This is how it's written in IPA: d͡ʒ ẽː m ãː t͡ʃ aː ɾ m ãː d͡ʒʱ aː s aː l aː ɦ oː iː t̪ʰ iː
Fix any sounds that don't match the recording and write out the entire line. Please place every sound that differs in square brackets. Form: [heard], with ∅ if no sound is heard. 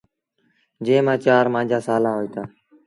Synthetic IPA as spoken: d͡ʒ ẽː m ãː t͡ʃ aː ɾ m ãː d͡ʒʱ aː s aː l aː ɦ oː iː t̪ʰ [aː]